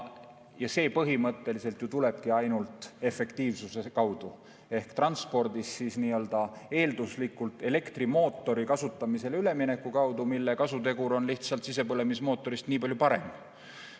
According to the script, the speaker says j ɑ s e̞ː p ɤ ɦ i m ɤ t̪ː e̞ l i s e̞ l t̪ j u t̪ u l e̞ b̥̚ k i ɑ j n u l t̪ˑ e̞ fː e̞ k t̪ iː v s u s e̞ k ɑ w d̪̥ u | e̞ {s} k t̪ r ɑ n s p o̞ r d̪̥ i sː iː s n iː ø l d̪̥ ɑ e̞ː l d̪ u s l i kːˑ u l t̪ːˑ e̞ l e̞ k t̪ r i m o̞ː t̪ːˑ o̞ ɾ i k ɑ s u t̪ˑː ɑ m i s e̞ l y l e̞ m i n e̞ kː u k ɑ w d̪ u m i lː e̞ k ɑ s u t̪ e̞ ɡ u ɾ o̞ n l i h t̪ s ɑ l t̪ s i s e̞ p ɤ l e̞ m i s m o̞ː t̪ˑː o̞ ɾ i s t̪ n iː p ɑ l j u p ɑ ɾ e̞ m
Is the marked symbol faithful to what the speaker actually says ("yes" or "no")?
no